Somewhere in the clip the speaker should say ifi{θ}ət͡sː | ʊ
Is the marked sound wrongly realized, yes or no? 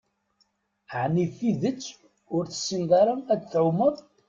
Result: yes